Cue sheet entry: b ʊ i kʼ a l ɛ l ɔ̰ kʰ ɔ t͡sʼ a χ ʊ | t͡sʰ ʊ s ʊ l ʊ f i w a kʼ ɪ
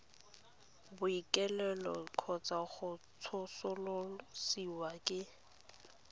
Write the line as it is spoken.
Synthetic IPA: b ʊ i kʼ ɛ l ɛ l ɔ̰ kʰ ɔ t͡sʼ a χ ʊ | t͡sʰ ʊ s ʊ l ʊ s i w a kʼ ɪ